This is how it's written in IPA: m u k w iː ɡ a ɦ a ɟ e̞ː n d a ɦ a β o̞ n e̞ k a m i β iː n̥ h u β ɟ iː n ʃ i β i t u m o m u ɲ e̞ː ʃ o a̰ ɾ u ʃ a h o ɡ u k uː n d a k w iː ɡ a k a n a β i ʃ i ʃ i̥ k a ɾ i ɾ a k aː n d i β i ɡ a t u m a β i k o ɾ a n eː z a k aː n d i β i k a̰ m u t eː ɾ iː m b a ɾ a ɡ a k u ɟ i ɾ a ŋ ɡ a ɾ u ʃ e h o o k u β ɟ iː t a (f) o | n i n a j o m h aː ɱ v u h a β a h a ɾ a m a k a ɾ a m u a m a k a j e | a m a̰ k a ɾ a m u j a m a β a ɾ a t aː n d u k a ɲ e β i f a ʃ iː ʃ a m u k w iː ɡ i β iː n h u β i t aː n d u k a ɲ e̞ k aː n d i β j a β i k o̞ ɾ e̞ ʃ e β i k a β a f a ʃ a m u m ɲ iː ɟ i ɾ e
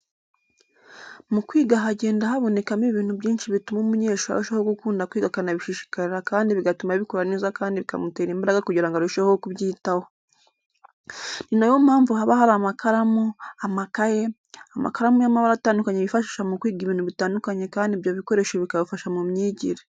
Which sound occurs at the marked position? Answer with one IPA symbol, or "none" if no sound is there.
h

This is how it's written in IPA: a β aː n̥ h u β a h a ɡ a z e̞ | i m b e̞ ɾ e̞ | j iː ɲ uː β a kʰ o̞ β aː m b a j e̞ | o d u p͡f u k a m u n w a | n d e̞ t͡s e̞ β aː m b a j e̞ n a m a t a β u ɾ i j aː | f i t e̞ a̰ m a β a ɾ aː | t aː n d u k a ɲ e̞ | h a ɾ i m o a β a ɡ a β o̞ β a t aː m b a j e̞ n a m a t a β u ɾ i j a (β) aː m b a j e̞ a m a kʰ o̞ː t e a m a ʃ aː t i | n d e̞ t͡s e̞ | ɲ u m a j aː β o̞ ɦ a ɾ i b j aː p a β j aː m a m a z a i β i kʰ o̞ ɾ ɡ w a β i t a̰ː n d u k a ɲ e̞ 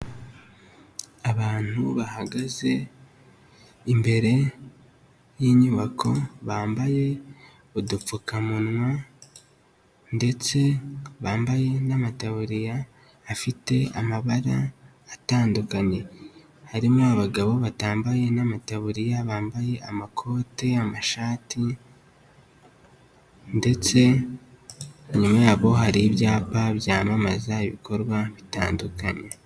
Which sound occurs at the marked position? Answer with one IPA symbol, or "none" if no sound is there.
β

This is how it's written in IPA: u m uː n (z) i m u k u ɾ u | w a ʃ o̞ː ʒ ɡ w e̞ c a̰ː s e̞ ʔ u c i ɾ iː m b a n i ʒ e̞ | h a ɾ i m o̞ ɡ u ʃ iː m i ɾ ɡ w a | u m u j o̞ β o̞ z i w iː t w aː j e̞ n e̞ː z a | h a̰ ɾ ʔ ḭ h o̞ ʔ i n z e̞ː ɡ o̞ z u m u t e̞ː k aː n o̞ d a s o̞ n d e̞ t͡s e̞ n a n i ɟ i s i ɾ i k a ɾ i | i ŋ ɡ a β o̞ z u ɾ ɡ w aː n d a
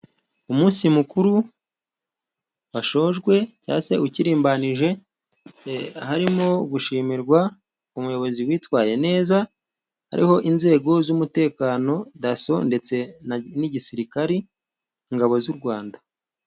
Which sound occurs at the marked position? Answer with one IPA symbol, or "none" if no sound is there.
s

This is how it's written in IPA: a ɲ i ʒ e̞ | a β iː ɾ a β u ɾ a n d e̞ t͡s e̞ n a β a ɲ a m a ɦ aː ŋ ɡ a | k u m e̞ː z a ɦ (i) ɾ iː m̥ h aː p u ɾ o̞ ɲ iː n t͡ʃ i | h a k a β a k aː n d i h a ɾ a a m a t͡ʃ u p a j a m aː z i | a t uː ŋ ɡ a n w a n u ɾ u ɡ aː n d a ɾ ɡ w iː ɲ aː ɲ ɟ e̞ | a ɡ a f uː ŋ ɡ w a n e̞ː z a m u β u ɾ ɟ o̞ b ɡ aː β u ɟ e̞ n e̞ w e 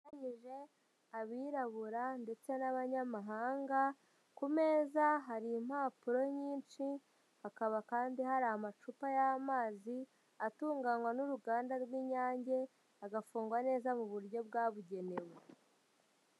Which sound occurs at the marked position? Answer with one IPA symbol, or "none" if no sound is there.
a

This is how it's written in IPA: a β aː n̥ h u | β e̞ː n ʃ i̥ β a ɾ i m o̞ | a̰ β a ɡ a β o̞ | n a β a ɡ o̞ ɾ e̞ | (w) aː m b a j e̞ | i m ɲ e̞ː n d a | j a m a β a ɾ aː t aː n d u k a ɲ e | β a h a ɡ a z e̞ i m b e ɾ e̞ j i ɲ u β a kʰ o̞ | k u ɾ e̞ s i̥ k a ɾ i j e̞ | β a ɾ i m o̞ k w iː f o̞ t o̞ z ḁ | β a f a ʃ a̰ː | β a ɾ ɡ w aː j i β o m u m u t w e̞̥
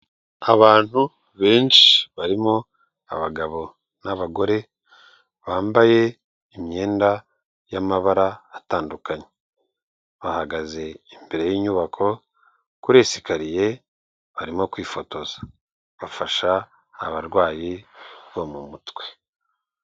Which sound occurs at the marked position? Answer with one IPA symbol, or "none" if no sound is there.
β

